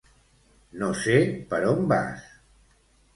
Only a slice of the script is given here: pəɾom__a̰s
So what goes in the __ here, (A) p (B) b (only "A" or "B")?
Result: B